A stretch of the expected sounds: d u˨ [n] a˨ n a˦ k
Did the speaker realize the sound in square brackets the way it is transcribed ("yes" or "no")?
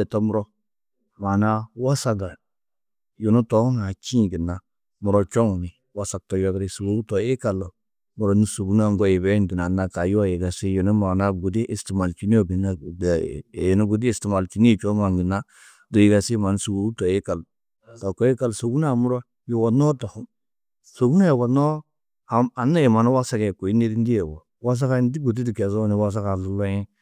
yes